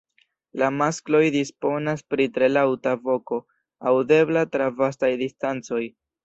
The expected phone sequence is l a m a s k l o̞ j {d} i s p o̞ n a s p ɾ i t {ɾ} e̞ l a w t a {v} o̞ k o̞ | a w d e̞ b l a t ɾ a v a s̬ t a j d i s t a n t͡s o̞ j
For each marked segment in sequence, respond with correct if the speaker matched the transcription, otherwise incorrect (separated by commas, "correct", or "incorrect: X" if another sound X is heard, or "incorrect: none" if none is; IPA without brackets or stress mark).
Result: correct, correct, correct